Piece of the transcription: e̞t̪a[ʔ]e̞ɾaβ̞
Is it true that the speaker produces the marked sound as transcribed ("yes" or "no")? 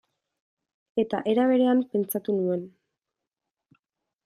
yes